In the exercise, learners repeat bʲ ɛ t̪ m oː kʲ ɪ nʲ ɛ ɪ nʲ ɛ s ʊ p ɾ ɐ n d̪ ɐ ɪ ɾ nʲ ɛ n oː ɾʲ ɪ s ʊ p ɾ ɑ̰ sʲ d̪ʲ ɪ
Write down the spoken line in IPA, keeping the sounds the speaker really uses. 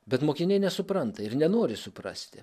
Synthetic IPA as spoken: bʲ ɛ t̪ m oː kʲ ɪ nʲ ɛ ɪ nʲ ɛ s ʊ p ɾ ɐ n t̪ ɐ ɪ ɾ nʲ ɛ n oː ɾʲ ɪ s ʊ p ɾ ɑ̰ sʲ t̪ʲ ɪ